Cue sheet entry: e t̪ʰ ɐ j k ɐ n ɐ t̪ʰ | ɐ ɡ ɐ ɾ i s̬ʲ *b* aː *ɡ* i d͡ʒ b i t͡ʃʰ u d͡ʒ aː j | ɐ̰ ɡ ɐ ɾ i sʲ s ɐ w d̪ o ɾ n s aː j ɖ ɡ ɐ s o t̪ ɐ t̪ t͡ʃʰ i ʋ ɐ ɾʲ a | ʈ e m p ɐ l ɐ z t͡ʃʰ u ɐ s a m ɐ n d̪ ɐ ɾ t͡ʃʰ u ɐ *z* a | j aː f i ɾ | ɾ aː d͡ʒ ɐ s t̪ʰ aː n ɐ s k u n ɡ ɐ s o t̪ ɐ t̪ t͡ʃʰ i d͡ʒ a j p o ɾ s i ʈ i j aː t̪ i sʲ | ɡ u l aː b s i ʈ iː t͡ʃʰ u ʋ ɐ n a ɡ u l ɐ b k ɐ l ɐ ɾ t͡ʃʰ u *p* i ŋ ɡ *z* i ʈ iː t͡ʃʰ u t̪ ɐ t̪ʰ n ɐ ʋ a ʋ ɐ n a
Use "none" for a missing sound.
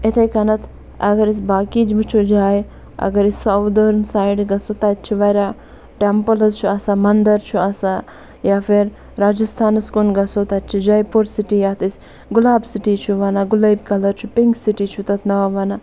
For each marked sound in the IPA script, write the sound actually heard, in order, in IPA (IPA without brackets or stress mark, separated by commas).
b, k, s, p, s